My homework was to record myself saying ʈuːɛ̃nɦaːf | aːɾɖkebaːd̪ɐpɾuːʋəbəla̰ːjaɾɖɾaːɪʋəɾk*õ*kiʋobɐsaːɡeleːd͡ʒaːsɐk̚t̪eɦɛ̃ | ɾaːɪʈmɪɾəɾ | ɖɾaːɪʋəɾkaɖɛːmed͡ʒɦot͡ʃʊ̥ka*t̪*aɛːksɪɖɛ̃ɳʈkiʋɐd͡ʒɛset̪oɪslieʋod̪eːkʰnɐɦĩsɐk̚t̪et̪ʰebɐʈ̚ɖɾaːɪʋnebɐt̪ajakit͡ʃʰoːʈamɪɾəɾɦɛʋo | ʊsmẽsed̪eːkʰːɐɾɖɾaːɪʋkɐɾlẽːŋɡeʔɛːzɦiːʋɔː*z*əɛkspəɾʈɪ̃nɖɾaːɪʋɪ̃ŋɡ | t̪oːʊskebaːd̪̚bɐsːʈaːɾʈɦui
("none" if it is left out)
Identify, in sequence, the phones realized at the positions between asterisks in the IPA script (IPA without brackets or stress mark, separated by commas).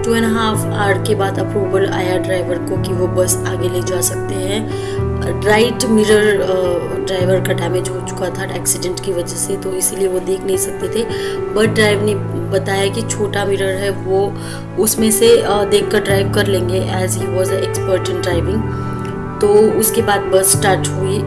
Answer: o, t̪ʰ, z